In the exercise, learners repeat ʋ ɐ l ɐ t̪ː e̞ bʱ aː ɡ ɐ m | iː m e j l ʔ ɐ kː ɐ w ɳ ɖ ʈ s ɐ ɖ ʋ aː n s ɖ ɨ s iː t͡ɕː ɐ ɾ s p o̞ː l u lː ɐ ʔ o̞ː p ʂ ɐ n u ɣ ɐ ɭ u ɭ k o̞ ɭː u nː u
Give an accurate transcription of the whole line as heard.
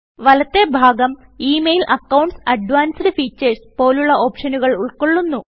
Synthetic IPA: ʋ ɐ l ɐ t̪ː e̞ bʱ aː ɡ ɐ m | iː m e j l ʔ ɐ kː ɐ w ɳ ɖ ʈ s ɐ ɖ ʋ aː n s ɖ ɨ f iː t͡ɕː ɐ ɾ s p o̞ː l u ɭː ɐ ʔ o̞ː p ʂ ɐ n u ɣ ɐ ɭ u ɭ k o̞ ɭː u nː u